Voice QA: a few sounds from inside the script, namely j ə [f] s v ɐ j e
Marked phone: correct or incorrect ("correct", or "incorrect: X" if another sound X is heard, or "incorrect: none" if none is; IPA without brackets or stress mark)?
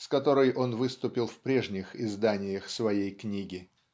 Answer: incorrect: x